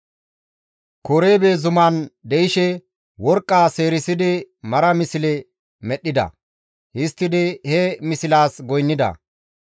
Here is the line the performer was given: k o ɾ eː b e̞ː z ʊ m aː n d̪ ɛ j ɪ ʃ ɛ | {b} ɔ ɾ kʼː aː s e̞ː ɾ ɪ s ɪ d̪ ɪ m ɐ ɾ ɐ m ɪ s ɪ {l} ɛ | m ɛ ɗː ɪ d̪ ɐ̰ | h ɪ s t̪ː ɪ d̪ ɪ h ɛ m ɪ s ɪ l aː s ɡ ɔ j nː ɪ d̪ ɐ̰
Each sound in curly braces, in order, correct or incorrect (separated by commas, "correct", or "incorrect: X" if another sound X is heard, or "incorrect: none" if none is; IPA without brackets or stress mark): incorrect: w, correct